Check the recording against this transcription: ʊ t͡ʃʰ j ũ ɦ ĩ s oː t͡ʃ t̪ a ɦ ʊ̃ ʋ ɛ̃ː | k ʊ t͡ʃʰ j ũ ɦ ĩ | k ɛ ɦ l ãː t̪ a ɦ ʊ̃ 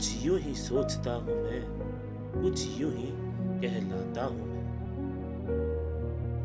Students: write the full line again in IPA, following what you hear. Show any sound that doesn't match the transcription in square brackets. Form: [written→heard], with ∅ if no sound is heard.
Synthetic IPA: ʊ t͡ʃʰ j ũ ɦ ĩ s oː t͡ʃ t̪ a ɦ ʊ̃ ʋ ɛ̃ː | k ʊ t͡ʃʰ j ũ ɦ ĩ | k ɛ ɦ l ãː t̪ a ɦ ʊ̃